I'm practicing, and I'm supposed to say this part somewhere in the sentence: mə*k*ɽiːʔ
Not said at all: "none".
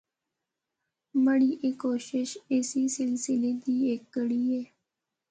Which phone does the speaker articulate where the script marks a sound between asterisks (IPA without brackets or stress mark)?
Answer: none